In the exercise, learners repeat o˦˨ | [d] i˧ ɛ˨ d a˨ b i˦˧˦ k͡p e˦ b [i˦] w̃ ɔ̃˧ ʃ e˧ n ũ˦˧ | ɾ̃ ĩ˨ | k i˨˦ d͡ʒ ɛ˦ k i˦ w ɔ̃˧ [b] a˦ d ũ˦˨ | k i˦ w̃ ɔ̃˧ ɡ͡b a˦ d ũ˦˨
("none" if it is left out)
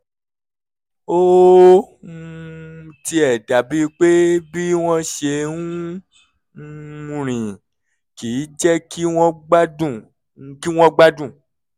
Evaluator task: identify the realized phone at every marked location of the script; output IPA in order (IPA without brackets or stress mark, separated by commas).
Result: t, i˦, ɡ͡b